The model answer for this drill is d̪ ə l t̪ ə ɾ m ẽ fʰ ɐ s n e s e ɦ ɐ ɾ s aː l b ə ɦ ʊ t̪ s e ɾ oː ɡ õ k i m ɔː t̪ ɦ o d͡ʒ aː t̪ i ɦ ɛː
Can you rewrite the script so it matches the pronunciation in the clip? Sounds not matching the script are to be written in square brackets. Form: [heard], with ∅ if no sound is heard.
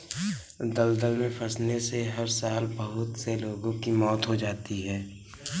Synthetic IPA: d̪ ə l [d̪] ə [l] m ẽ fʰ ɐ s n e s e ɦ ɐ ɾ s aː l b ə ɦ ʊ t̪ s e [l] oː ɡ õ k i m ɔː t̪ ɦ o d͡ʒ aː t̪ i ɦ ɛː